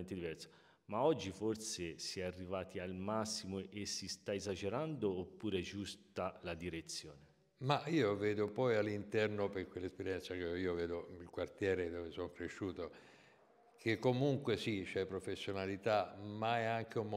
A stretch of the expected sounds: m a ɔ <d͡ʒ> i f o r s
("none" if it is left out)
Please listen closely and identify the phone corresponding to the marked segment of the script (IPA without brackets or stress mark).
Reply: d͡ʒː